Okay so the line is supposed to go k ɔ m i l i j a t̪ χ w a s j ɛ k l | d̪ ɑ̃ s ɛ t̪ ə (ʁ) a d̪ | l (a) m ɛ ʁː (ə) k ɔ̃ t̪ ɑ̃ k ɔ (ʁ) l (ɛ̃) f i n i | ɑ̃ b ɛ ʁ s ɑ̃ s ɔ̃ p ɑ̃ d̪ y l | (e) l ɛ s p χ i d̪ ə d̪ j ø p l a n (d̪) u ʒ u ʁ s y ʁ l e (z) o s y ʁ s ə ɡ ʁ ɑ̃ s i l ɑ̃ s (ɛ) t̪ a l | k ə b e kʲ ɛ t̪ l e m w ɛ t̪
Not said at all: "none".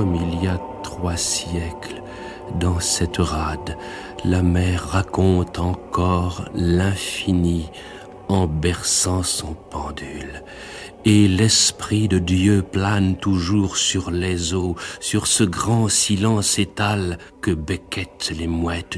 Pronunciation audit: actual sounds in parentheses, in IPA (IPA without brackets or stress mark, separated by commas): ʁ, a, a, ʁ, ɛ̃, e, t̪, z, e